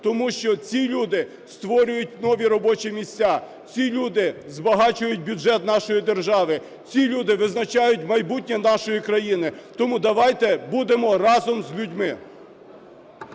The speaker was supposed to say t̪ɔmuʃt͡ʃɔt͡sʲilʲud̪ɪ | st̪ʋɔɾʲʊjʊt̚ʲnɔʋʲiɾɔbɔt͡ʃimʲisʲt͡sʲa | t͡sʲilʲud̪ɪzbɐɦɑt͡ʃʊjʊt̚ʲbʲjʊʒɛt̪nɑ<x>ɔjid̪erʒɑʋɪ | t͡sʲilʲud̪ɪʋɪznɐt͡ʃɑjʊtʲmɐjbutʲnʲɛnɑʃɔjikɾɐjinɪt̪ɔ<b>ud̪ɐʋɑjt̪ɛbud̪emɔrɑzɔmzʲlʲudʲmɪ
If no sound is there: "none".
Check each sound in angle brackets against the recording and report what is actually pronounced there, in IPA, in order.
ʃ, m

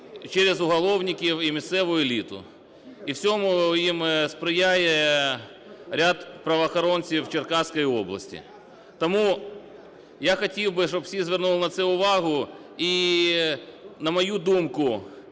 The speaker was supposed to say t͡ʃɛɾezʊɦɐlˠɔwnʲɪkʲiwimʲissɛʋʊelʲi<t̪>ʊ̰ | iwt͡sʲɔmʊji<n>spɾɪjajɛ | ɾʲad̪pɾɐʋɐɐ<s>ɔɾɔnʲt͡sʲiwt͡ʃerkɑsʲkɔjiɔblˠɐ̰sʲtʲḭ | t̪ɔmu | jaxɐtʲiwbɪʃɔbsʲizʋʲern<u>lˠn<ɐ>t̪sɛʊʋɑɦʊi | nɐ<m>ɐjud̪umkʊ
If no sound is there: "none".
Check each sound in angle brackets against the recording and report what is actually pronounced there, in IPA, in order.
t̪, m, x, u, ɐ, m

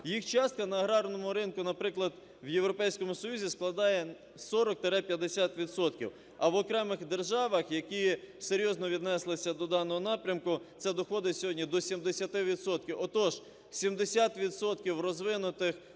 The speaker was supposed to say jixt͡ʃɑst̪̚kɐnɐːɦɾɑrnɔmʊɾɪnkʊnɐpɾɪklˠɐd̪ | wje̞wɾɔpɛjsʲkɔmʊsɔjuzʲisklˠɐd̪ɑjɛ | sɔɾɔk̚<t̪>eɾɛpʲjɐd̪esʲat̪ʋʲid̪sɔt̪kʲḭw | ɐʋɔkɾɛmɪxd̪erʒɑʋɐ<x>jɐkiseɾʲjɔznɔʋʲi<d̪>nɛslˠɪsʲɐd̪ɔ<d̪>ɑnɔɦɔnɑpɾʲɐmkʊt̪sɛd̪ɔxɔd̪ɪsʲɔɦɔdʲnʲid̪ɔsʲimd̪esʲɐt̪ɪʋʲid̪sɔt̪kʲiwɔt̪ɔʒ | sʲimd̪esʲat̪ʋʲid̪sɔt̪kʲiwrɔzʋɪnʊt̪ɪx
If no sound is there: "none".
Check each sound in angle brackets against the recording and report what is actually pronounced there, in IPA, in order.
t̪, x, d̪, d̪

